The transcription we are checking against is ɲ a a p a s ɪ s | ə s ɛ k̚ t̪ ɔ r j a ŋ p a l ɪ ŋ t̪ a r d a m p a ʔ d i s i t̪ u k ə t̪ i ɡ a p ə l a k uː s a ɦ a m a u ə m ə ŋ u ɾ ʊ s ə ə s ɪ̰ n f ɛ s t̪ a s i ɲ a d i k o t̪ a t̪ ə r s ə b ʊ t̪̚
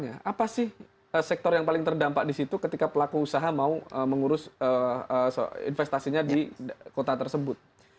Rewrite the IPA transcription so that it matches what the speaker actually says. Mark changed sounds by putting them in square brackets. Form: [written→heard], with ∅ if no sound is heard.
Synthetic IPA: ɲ a a p a s ɪ [s→h] | ə s ɛ k̚ t̪ ɔ r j a ŋ p a l ɪ ŋ t̪ [a→ə] r d a m p a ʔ d i s i t̪ u k ə t̪ i [ɡ→k] a p ə l a k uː s a ɦ a m a u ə m ə ŋ u ɾ ʊ s ə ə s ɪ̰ n f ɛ s t̪ a s i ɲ a d i k o t̪ a t̪ ə r s ə b ʊ t̪̚